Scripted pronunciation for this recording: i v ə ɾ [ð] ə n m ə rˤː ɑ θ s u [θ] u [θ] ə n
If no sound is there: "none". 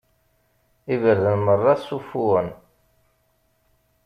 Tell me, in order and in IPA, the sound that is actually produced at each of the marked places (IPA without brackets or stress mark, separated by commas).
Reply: ð, f, none